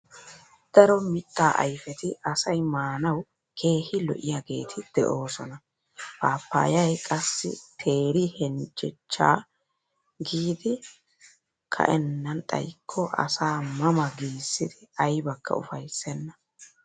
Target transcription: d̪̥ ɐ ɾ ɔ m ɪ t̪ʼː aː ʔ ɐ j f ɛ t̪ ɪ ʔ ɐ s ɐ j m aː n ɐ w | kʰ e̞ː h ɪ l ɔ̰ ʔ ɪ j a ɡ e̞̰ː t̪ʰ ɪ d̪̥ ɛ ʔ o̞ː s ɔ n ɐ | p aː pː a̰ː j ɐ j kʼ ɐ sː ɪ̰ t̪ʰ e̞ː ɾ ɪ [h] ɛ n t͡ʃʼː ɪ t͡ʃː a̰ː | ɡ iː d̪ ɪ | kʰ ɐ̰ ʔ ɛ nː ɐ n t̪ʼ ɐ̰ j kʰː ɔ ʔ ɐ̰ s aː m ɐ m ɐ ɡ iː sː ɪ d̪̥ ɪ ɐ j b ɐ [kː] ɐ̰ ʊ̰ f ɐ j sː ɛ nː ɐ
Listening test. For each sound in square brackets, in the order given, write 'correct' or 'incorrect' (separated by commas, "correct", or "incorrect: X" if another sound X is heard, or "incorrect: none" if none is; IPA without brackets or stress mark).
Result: correct, correct